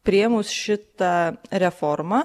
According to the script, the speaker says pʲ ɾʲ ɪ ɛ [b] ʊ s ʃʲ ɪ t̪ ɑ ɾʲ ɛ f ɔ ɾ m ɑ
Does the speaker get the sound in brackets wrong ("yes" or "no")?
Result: yes